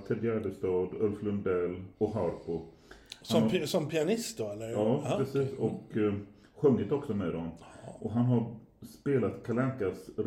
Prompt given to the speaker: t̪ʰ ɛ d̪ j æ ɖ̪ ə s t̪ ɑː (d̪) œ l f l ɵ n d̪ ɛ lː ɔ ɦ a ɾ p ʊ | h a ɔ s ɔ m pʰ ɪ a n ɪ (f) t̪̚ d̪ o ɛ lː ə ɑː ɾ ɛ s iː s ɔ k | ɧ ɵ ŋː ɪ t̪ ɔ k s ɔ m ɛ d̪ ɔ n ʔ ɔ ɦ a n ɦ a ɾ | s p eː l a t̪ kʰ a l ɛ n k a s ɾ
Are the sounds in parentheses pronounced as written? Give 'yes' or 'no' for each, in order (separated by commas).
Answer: yes, no